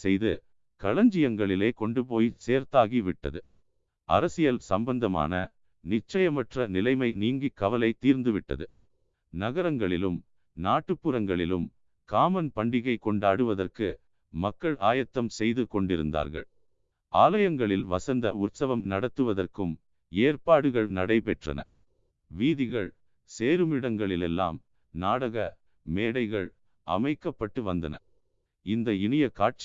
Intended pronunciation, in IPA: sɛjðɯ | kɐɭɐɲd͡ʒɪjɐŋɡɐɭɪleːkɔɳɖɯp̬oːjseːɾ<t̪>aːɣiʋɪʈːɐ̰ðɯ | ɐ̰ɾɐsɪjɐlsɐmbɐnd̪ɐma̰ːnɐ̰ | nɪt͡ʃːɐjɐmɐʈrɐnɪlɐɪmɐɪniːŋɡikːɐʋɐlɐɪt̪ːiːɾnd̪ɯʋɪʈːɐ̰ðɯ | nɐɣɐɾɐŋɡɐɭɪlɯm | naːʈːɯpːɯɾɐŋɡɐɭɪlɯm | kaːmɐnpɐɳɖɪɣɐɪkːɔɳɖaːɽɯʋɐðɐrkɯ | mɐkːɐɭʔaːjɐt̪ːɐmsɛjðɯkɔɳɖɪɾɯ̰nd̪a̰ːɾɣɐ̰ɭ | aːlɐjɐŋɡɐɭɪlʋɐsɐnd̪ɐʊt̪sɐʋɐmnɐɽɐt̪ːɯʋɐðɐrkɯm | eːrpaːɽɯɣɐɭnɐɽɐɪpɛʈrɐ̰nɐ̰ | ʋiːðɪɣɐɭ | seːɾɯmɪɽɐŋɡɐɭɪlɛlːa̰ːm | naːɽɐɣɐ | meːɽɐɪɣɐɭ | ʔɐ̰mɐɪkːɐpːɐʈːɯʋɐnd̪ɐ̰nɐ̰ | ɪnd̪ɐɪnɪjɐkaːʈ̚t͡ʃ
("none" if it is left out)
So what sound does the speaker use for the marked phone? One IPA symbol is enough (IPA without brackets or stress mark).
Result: t̪